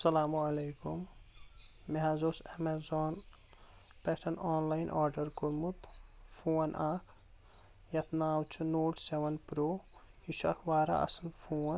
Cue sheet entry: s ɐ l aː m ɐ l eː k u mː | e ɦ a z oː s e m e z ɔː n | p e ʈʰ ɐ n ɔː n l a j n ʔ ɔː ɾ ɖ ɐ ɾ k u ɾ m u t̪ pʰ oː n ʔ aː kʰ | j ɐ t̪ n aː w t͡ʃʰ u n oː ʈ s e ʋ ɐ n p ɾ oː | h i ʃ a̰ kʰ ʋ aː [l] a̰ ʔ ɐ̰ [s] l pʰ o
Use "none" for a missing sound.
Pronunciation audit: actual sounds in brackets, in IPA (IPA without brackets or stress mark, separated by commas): ɾ, s